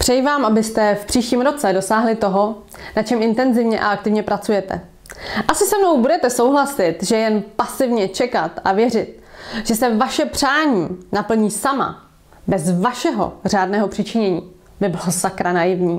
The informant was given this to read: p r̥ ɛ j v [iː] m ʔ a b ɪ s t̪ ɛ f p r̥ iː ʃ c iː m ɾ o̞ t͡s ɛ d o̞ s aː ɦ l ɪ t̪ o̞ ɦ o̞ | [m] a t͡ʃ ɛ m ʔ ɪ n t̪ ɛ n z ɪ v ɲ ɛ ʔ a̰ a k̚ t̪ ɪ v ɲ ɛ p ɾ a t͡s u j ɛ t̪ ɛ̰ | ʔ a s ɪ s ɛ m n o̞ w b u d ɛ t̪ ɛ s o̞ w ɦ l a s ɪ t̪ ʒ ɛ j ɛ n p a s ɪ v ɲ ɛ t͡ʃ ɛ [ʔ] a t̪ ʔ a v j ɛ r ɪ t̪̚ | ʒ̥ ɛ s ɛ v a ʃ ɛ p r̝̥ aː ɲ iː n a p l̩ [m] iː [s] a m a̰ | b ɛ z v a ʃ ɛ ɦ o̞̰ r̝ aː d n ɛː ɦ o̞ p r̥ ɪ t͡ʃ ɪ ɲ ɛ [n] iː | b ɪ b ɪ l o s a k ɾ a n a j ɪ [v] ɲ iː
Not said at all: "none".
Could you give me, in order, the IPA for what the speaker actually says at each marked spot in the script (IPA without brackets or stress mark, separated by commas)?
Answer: aː, n, k, ɲ, s, ɲ, v